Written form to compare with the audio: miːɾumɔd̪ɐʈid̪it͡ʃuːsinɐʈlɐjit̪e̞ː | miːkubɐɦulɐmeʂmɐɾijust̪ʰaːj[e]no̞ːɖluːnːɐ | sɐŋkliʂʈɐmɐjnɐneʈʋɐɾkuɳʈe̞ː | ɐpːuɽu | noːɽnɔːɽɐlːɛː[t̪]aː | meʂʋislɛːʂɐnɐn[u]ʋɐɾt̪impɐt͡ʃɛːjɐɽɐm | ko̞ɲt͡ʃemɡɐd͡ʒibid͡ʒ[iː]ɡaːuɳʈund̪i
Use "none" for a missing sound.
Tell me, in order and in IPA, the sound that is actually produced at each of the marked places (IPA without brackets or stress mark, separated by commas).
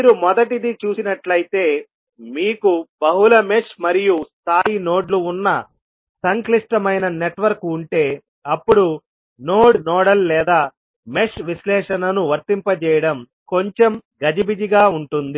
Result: i, d̪, u, i